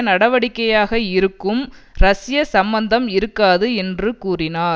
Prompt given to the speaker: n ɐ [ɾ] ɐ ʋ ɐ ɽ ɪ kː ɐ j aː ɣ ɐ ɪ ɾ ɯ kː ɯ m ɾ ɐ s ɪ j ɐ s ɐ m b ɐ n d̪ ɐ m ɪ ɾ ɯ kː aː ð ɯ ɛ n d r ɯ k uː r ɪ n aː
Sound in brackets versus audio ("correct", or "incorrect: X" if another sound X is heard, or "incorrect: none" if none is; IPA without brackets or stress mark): incorrect: ɽ